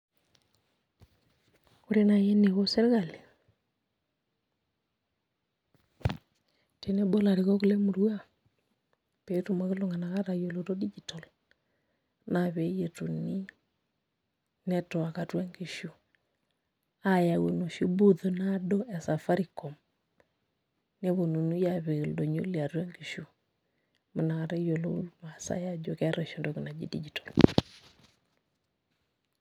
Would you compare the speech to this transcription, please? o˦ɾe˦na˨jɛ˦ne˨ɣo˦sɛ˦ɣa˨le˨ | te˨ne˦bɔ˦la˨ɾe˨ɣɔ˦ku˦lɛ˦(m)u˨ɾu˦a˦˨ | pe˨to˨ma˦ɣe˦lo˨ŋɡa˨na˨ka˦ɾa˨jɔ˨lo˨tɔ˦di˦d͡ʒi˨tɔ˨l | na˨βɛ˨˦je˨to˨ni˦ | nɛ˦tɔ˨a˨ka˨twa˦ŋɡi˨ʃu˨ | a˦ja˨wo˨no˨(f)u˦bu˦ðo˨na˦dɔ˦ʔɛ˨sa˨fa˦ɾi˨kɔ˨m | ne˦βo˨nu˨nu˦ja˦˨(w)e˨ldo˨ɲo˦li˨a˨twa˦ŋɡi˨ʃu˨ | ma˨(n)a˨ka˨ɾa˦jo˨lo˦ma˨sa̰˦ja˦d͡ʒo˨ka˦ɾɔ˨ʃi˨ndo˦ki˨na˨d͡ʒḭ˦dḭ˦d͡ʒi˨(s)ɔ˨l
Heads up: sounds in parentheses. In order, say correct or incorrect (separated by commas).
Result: correct, incorrect, incorrect, correct, incorrect